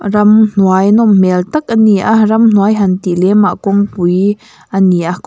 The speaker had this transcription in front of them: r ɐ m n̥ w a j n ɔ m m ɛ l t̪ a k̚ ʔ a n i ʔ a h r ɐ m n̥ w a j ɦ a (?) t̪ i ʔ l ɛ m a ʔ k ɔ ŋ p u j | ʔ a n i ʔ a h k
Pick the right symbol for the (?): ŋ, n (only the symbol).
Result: n